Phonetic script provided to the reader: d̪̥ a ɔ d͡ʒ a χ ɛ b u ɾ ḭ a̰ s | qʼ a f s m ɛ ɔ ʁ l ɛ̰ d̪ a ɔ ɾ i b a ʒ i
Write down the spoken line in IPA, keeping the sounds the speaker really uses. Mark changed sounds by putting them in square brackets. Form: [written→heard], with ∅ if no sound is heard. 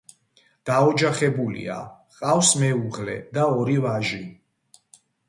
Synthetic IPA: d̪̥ a ɔ d͡ʒ a χ ɛ b u [ɾ→l] ḭ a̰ [s→∅] | qʼ a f s m ɛ [ɔ→u] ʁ l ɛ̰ d̪ a ɔ ɾ i [b→v] a ʒ i